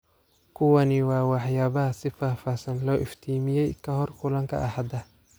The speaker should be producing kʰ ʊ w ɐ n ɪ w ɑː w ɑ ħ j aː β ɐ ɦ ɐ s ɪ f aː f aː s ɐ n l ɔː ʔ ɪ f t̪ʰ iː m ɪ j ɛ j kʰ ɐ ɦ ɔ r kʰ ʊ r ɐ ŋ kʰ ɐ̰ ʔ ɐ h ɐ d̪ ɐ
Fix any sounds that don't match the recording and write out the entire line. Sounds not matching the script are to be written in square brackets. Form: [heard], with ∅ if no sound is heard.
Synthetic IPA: kʰ ʊ w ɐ n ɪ w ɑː w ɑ ħ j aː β ɐ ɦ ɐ s ɪ f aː f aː s ɐ n l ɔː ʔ ɪ f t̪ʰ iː m ɪ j ɛ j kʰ ɐ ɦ ɔ r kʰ ʊ [l] ɐ ŋ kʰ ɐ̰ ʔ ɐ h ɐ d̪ ɐ